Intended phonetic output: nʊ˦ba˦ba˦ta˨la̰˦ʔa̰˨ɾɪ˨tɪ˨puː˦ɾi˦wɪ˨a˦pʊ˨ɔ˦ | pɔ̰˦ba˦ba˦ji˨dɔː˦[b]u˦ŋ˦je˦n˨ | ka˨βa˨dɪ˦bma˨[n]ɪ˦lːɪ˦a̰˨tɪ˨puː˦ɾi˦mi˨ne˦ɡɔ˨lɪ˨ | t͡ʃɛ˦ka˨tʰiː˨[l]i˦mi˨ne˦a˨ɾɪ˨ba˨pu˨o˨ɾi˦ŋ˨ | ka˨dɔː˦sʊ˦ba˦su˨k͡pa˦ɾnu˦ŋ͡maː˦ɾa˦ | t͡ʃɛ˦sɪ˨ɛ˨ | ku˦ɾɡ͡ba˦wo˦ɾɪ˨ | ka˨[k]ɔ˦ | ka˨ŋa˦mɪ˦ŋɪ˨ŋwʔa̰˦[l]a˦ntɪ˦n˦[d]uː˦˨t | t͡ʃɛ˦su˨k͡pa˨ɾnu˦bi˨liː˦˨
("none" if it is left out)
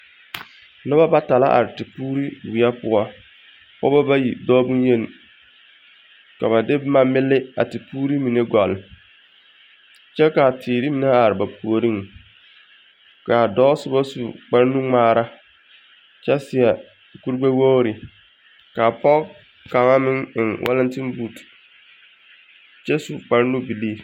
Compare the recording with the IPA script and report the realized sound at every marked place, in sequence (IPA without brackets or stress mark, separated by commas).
b, m, ɾ, p, l, b